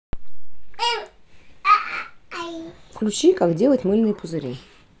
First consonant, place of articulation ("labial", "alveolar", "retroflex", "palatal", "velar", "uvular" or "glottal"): labial